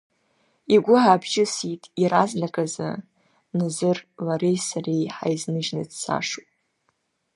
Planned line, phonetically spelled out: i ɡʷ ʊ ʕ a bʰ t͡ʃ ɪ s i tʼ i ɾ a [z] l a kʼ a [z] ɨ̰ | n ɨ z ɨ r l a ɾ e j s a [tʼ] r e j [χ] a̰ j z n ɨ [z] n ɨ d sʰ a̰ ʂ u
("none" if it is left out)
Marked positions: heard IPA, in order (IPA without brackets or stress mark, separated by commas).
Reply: z, z, none, ħ, ʒ